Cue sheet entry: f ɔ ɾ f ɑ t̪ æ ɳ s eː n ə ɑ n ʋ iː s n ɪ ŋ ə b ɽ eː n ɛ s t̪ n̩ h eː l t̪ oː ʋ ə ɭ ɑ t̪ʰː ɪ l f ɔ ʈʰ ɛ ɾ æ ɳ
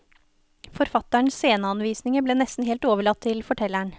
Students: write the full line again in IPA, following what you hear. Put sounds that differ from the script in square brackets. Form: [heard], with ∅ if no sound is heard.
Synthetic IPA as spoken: f ɔ ɾ f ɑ t̪ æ ɳ s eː n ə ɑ n ʋ iː s n ɪ ŋ ə b [l] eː n ɛ s t̪ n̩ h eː l t̪ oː ʋ ə ɭ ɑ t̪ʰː ɪ l f ɔ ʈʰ ɛ [l] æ ɳ